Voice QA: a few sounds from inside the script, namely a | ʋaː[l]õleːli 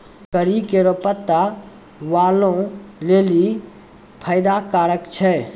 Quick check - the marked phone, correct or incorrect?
correct